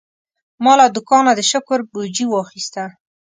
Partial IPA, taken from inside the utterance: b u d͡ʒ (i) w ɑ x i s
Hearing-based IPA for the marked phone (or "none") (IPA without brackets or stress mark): i